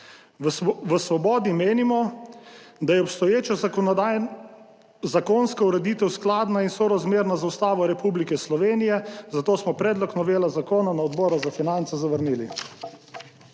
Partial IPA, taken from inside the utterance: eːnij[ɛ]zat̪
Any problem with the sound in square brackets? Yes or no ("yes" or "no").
no